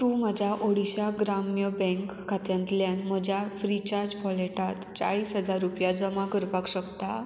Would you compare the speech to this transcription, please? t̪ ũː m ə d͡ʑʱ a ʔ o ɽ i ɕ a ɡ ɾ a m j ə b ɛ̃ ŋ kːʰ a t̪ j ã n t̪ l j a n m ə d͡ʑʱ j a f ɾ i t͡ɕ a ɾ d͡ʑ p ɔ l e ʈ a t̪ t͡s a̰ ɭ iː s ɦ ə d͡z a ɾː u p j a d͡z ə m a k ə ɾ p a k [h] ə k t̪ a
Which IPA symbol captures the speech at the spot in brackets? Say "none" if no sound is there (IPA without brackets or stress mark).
ɕ